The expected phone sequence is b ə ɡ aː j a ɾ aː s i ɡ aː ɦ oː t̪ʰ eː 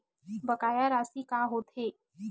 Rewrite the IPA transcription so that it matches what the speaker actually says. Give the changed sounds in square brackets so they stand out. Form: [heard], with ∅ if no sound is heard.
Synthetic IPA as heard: b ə [k] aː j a ɾ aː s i [k] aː ɦ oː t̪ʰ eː